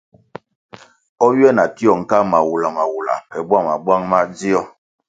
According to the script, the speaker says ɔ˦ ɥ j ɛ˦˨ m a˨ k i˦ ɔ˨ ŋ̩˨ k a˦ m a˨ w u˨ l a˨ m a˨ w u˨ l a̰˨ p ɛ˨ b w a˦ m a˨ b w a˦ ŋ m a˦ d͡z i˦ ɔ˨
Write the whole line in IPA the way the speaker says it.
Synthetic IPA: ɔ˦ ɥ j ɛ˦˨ n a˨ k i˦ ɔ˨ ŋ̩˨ k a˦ m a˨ w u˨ l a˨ m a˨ w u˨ l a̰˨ p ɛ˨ b w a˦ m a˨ b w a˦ ŋ m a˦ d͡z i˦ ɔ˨